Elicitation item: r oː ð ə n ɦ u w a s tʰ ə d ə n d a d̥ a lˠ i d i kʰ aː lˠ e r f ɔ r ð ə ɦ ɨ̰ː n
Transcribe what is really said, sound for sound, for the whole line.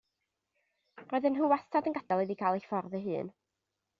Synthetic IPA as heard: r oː ð ə n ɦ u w a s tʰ a d ə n ɡ a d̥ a lˠ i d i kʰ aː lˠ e f ɔ r ð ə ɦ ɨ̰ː n